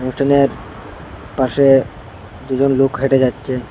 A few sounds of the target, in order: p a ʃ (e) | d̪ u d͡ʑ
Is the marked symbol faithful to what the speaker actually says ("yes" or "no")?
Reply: yes